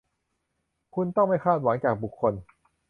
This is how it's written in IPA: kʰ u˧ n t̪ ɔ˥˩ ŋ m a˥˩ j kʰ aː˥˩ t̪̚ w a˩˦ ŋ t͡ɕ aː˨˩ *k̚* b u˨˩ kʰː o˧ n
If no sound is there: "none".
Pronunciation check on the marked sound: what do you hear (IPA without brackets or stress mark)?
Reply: k̚